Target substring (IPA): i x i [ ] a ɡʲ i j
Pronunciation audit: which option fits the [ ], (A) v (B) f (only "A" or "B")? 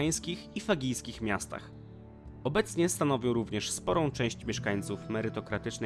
B